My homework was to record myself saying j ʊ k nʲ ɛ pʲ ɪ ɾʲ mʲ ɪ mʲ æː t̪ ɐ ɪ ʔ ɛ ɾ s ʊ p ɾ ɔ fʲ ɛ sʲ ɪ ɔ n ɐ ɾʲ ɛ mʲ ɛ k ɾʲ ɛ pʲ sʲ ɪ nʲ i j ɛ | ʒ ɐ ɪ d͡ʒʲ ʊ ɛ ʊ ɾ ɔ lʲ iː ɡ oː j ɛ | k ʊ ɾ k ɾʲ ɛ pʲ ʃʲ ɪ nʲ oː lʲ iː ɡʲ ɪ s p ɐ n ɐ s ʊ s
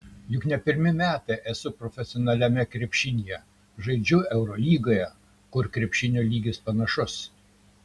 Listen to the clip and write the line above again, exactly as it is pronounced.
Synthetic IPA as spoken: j ʊ k nʲ ɛ pʲ ɪ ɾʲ mʲ ɪ mʲ æː t̪ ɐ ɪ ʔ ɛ s ʊ p ɾ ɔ fʲ ɛ sʲ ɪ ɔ n ɐ lʲ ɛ mʲ ɛ k ɾʲ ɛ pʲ ʃʲ ɪ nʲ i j ɛ | ʒ ɐ ɪ d͡ʒʲ ʊ ɛ ʊ ɾ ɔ lʲ iː ɡ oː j ɛ | k ʊ ɾ k ɾʲ ɛ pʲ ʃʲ ɪ nʲ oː lʲ iː ɡʲ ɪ s p ɐ n ɐ ʃ ʊ s